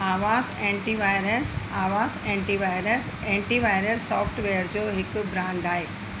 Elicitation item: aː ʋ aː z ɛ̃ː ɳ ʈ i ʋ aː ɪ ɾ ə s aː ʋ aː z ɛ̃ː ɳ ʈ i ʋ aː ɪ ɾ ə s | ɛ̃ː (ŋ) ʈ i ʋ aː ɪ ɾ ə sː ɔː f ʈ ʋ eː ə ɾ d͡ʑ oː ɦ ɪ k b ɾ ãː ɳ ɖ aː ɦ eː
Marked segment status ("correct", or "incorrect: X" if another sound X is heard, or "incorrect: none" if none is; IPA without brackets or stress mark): incorrect: ɳ